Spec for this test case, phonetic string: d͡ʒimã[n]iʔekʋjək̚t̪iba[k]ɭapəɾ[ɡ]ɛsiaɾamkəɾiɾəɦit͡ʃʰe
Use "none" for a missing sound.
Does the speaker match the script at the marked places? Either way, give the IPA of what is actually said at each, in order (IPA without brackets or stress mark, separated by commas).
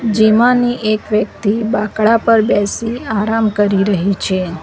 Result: n, k, b